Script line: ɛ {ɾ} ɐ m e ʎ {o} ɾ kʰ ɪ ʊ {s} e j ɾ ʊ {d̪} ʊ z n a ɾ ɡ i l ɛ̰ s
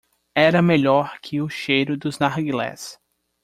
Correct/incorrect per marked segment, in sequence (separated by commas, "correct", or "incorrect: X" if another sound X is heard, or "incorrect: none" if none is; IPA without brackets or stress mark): correct, incorrect: ɔ, incorrect: ʃ, correct